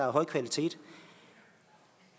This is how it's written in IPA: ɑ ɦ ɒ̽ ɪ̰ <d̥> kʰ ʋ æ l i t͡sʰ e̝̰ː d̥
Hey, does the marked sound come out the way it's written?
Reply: no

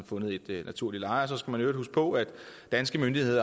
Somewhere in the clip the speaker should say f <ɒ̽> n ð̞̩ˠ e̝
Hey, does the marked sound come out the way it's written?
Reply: no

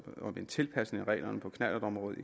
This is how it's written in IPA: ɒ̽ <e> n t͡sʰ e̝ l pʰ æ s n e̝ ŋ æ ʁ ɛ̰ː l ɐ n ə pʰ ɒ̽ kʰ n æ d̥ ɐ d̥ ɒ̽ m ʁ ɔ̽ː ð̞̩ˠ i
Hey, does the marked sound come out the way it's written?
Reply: yes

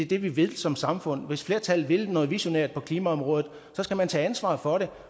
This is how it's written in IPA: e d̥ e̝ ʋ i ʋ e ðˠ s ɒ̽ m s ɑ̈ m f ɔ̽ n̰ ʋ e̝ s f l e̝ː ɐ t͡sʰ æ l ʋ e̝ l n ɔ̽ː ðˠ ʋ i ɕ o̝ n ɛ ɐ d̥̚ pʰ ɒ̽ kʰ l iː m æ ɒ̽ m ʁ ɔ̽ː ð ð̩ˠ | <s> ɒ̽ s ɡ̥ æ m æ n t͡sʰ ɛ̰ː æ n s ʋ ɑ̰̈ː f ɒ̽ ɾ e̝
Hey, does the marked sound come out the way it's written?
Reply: yes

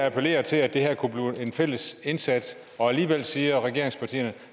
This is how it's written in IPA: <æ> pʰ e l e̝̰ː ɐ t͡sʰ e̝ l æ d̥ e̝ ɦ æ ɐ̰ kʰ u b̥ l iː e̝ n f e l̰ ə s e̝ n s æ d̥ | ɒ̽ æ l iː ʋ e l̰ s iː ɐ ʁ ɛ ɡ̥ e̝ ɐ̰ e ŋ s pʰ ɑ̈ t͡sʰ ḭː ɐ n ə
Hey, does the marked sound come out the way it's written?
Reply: yes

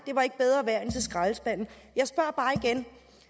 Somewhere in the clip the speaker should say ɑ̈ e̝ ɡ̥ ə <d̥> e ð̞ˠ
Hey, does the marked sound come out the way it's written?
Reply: no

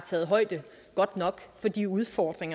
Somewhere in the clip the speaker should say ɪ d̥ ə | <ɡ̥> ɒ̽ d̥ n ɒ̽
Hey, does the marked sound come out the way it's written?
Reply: yes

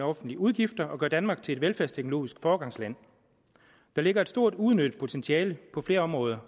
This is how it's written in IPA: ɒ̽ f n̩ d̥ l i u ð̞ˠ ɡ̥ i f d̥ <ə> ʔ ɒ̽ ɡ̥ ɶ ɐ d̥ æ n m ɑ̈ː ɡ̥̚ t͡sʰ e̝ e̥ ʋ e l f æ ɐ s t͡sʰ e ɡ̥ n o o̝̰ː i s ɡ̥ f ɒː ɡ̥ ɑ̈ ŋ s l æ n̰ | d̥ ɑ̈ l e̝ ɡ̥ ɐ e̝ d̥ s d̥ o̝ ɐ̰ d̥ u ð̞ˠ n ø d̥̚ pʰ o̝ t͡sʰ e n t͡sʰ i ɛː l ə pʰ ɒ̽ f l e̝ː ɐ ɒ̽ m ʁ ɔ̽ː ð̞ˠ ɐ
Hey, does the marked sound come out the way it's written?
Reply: no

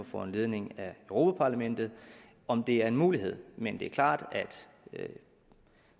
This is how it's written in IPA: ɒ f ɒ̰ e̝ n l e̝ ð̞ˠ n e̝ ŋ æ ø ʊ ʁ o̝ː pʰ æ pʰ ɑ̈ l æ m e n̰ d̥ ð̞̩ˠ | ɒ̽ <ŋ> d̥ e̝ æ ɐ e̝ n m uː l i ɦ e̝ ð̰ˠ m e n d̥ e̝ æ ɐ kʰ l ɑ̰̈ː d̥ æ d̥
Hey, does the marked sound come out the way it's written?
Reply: no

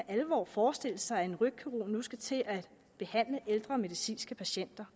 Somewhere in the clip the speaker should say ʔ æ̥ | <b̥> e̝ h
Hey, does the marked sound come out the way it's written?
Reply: yes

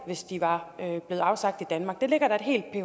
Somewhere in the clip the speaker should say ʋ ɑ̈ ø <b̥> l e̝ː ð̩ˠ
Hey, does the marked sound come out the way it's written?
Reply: yes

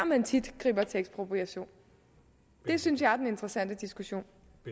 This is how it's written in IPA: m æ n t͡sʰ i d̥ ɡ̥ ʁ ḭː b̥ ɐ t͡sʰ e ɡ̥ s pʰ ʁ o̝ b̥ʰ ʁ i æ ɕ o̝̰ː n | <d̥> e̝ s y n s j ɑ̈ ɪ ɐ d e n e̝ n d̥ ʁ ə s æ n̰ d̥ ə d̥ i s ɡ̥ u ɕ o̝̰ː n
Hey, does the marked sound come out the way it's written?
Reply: yes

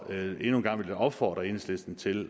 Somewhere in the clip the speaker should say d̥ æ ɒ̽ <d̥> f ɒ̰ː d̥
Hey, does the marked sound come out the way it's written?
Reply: no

